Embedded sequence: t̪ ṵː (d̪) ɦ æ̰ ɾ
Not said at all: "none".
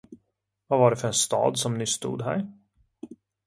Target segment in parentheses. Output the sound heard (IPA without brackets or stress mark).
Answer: d̪